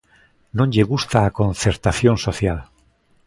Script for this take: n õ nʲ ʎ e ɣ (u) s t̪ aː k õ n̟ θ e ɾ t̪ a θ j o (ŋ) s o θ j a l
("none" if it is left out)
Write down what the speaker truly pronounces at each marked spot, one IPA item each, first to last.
u, n

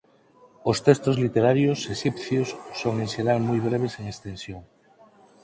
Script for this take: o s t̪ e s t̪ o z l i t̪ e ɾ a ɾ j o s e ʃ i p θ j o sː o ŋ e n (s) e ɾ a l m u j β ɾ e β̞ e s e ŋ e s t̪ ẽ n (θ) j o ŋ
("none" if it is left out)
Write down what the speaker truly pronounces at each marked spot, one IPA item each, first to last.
ʃ, s

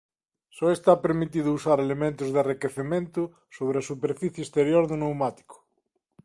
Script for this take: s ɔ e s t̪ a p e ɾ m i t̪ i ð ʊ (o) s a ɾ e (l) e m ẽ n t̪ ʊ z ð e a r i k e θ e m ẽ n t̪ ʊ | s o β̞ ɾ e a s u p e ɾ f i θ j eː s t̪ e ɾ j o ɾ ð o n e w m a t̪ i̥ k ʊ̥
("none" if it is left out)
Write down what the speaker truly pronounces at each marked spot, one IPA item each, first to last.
u, l

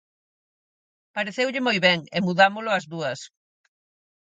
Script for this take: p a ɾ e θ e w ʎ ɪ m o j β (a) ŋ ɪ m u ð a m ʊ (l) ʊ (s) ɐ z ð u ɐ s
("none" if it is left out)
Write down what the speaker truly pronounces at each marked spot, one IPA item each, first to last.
ɛ, l, none

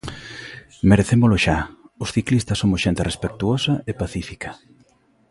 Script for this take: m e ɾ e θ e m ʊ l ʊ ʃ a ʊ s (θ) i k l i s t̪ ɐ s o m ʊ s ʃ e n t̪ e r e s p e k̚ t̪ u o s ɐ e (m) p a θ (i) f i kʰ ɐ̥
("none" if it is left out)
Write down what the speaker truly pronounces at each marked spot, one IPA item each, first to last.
θ, none, i

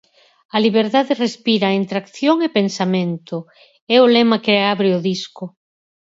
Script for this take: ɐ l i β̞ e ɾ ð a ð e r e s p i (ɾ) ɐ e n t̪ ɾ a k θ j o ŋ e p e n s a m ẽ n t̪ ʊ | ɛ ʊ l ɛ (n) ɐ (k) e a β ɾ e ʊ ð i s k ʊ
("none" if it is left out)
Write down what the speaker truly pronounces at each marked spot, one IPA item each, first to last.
ɾ, m, k

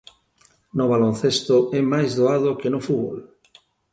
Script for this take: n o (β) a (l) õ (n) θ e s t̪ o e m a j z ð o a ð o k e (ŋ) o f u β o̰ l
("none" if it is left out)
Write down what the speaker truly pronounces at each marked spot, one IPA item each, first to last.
β, l, n, n

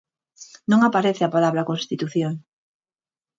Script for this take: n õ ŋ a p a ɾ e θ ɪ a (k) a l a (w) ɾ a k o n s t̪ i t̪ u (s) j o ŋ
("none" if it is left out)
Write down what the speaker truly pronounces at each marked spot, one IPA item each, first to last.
p, β, θ

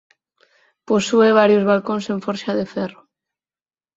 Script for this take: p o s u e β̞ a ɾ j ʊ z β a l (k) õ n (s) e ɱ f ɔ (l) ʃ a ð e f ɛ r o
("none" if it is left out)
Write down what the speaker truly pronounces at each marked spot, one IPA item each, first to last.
k, s, ɾ

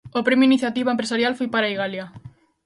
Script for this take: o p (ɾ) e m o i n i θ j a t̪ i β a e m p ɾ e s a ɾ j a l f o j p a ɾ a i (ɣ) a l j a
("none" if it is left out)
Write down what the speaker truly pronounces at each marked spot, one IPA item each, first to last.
ɾ, ɣ

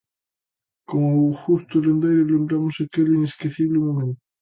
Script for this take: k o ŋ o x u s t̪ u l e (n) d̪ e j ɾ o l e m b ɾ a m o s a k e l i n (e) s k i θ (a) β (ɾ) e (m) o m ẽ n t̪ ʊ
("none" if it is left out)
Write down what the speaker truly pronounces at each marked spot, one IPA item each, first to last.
n, e, i, l, m

